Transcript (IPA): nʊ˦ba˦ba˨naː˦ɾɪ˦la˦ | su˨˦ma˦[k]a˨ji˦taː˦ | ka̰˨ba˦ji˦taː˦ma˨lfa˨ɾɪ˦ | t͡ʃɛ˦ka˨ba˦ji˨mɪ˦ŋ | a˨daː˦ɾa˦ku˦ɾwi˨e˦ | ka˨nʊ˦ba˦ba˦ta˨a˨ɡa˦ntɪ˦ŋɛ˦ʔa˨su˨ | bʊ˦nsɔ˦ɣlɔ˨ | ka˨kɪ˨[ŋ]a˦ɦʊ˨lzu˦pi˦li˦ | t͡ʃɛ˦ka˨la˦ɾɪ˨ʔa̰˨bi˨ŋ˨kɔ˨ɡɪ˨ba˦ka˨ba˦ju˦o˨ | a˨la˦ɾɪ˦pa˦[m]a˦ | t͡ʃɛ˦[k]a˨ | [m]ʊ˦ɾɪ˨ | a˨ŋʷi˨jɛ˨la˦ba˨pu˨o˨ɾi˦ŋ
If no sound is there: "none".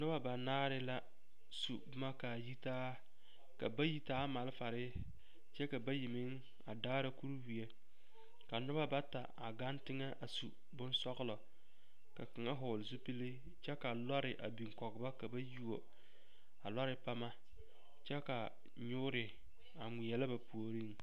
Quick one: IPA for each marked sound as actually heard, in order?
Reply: k, ŋ, m, k, ɲ

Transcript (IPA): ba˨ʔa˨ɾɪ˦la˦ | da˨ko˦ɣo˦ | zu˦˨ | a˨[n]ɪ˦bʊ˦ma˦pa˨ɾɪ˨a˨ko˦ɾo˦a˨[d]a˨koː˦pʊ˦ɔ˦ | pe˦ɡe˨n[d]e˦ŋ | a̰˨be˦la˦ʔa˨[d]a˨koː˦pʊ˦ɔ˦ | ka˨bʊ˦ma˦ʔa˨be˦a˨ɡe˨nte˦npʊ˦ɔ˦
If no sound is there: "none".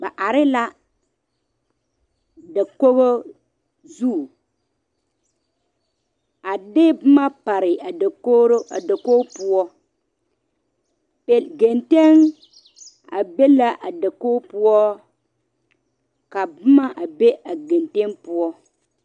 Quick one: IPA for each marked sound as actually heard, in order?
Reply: d, d, t, d

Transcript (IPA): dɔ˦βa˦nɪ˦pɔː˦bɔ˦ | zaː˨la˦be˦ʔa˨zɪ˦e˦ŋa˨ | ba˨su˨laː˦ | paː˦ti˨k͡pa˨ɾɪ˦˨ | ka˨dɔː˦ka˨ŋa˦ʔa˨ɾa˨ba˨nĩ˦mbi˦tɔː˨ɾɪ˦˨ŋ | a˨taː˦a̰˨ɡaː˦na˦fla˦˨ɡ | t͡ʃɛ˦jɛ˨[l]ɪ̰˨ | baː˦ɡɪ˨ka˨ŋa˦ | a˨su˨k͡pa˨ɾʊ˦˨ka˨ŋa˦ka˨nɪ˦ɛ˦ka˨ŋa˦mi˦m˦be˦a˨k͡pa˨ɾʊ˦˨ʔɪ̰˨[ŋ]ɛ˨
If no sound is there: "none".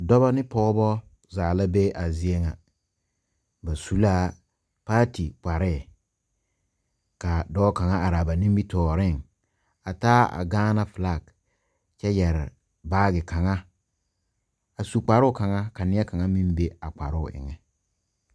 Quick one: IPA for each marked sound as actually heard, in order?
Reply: ɾ, ŋ

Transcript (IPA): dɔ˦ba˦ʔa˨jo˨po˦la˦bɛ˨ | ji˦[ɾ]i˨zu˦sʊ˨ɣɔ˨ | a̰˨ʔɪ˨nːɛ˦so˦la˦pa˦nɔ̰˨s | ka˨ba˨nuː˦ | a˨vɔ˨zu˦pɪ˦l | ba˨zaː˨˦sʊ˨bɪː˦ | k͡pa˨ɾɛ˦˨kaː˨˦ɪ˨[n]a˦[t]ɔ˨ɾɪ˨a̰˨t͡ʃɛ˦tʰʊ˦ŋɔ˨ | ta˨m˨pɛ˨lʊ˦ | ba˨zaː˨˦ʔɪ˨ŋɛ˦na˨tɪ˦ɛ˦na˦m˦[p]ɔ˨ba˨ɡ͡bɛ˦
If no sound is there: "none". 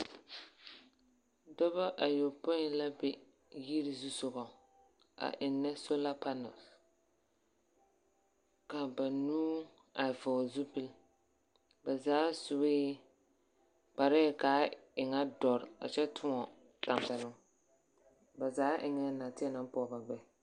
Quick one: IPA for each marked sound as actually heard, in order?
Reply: ɾ, ŋ, d, p

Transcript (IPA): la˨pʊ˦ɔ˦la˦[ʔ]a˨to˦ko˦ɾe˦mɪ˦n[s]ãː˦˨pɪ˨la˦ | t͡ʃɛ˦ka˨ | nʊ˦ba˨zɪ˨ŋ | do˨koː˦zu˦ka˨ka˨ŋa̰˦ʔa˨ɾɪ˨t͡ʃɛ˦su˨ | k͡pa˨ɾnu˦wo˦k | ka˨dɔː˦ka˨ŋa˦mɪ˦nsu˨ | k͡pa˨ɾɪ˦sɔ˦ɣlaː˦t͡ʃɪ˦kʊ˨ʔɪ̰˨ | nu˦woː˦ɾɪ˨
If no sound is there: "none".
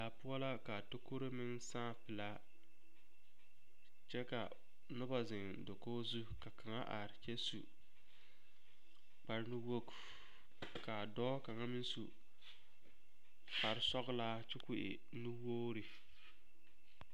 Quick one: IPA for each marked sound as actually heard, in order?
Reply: k, s

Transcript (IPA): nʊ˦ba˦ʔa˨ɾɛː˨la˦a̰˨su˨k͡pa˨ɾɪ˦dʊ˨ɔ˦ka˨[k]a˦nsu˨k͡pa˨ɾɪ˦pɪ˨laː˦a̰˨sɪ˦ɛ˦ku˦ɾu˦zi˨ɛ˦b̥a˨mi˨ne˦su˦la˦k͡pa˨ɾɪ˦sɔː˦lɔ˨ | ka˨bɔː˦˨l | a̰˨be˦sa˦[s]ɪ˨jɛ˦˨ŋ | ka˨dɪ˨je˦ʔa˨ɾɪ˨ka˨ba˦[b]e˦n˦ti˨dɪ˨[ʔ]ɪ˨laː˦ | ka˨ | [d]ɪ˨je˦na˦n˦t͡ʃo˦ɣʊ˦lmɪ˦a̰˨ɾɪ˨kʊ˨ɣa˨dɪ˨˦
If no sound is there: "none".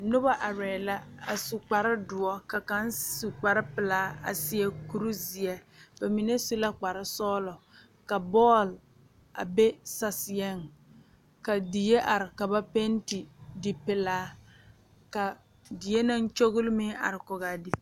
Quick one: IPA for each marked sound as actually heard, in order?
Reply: k, s, p, p, d

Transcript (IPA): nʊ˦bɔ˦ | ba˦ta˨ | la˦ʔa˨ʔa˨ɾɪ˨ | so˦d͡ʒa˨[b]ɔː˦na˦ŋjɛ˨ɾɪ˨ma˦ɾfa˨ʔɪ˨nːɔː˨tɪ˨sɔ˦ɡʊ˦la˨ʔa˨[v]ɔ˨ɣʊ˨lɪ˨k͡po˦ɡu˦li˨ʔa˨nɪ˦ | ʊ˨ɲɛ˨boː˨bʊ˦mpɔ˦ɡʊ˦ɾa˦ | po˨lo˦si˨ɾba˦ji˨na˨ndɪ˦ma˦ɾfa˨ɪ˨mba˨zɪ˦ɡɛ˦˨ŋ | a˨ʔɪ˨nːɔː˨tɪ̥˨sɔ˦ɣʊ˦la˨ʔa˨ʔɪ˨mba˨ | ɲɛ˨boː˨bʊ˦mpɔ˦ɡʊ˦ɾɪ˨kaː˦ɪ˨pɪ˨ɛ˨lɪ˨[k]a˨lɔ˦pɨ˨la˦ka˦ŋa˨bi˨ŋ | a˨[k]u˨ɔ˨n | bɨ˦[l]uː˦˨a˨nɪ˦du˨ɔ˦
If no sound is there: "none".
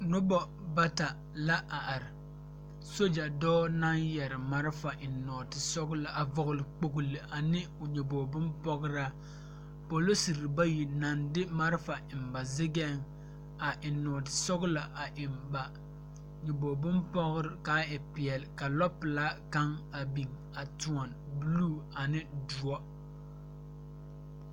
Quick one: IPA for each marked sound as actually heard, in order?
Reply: d, v, k, t, l

